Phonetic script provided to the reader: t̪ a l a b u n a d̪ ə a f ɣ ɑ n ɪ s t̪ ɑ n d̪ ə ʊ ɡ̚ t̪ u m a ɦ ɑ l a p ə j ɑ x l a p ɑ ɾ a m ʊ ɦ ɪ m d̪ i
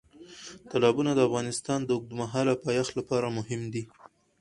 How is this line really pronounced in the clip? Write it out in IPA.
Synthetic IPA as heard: t̪ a l ɑ b u n a d̪ ə a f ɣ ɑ n ɪ s t̪ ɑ n d̪ ə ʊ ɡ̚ d̪ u m a ɦ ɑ l a p ɑ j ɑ x l a p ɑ ɾ a m ʊ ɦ ɪ m d̪ i